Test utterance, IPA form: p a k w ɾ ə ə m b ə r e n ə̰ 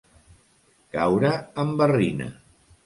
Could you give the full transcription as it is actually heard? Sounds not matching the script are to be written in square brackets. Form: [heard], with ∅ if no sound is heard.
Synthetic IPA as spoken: [k] a [∅] w ɾ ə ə m b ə r [i] n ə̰